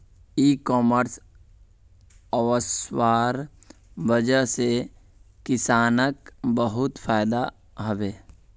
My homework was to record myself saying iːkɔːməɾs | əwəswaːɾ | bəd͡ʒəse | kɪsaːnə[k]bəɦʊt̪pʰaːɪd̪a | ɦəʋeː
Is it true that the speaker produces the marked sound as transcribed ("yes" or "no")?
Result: yes